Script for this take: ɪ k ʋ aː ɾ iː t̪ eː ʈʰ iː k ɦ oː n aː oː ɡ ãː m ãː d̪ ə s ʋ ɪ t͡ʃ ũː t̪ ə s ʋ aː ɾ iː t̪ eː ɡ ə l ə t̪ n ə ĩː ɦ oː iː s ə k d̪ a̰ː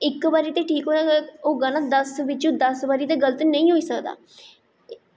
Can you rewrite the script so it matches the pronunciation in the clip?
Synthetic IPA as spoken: ɪ k ʋ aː ɾ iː t̪ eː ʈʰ iː k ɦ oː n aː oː ɡ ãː n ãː d̪ ə s ʋ ɪ t͡ʃ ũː d̪ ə s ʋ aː ɾ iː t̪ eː ɡ ə l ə t̪ n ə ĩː ɦ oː iː s ə k d̪ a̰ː